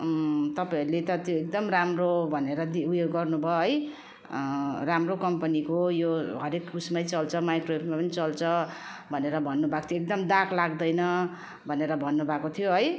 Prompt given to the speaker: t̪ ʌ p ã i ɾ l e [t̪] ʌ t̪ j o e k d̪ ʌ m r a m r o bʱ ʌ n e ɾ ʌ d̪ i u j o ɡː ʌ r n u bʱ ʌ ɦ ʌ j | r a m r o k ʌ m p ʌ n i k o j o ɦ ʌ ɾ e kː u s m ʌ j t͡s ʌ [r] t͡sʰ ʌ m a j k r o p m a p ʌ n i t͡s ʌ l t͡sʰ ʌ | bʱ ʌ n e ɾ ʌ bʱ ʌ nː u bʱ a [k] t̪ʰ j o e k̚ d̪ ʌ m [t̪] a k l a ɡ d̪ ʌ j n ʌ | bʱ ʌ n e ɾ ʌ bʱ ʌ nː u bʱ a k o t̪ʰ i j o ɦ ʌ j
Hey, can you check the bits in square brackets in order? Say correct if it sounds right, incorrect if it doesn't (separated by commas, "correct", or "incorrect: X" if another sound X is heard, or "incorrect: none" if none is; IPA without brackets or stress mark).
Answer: correct, incorrect: l, correct, incorrect: d̪